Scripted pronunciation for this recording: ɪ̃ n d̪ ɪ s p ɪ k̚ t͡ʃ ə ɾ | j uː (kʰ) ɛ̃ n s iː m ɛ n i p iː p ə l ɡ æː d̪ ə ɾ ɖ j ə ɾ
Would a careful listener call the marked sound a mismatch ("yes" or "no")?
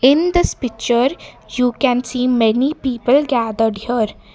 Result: yes